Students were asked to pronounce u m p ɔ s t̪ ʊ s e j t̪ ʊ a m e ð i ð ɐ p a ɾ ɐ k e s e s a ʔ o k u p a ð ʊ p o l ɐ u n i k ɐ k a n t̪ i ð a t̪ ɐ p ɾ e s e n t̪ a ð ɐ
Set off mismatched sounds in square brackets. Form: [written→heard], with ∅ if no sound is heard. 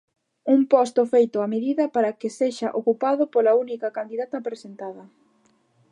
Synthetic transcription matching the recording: u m p ɔ s t̪ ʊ [s→f] e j t̪ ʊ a m e ð i ð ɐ p a ɾ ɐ k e s e [s→ʃ] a ʔ o k u p a ð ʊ p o l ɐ u n i k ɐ k a n [t̪→d̪] i ð a t̪ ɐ p ɾ e s e n t̪ a ð ɐ